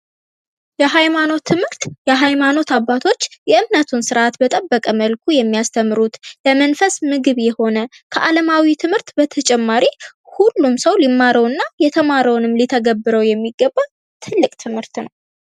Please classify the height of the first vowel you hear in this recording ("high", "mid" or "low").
mid